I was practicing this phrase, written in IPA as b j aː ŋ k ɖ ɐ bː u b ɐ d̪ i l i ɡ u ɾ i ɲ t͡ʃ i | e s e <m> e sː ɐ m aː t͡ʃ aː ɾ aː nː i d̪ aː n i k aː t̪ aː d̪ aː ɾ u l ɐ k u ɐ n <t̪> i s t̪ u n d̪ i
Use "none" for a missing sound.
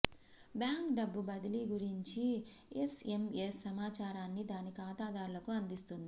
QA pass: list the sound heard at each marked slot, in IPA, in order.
m, d̪

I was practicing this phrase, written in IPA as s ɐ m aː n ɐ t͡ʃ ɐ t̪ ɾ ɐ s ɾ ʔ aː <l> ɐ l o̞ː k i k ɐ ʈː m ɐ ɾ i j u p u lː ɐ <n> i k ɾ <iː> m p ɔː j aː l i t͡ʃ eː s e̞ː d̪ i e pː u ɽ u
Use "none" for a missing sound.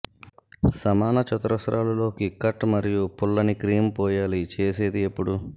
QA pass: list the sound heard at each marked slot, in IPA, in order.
l, n, iː

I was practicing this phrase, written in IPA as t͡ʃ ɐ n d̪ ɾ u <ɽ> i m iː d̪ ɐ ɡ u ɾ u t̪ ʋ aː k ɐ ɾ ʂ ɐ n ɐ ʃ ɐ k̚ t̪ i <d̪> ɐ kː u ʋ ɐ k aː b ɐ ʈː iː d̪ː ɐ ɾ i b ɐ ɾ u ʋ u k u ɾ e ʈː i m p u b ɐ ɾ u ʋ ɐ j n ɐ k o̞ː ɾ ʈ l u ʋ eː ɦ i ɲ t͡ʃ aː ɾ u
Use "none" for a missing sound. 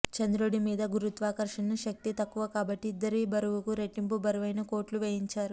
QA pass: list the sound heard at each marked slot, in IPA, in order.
ɽ, t̪

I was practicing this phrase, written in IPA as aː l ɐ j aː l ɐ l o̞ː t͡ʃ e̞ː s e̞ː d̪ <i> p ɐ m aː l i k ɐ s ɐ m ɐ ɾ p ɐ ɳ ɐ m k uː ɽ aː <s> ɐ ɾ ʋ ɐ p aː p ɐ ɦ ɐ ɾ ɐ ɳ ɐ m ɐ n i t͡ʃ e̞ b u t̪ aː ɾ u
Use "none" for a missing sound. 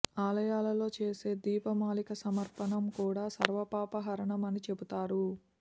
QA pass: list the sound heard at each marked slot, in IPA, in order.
iː, s

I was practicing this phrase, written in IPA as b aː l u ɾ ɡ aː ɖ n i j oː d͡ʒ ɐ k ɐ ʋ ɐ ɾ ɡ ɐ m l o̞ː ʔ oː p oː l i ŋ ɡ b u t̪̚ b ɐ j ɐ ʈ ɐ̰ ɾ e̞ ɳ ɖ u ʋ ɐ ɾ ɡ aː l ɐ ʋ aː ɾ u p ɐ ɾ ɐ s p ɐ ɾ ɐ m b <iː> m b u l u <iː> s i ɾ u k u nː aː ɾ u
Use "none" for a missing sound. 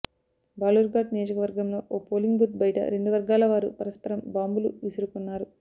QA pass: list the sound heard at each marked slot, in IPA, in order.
aː, i

